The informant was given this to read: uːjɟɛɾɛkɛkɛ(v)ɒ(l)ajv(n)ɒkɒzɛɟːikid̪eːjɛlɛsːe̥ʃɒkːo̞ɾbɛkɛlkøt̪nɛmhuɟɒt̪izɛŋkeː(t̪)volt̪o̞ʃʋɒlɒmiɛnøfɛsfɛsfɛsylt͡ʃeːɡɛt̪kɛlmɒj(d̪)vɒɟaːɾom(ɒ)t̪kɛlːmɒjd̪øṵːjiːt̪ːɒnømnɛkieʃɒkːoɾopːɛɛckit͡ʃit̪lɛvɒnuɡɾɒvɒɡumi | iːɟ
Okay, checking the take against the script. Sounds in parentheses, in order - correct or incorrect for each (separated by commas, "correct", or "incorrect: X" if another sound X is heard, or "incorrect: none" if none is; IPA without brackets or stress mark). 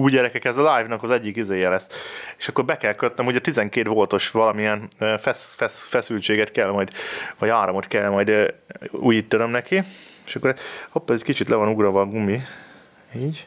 incorrect: z, correct, correct, correct, correct, incorrect: o